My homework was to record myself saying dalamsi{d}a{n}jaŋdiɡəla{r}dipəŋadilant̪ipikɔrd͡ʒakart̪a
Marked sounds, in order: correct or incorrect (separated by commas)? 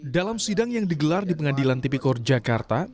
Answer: correct, incorrect, correct